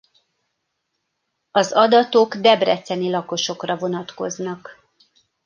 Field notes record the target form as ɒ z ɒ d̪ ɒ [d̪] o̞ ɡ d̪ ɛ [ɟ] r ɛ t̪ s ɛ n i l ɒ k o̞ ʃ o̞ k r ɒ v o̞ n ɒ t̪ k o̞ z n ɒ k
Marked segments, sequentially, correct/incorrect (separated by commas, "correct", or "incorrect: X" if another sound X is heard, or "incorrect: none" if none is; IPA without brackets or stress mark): incorrect: t̪, incorrect: b